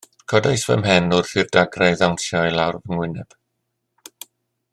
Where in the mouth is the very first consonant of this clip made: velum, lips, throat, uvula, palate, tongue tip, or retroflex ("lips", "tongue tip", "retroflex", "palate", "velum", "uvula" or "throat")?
velum